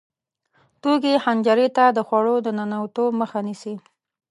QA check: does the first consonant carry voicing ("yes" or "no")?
no